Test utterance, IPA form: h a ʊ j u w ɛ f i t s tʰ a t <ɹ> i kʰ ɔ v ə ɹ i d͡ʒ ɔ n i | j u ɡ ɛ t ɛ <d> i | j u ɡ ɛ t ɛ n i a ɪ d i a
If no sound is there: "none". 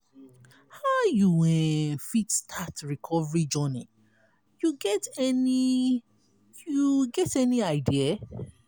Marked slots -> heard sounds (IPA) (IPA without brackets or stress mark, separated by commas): ɹ, n